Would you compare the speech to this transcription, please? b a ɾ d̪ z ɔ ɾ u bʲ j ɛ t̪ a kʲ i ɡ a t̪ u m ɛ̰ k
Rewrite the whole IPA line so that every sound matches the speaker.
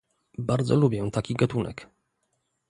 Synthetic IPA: b a ɾ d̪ z ɔ l u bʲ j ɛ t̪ a kʲ i ɡ a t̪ u n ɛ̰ k